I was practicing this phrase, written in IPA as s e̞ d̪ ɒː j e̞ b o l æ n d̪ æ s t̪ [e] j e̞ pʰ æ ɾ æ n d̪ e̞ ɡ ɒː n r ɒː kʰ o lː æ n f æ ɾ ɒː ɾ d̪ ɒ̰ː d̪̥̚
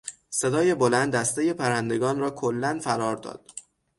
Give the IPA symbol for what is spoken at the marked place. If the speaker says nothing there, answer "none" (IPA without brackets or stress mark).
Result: e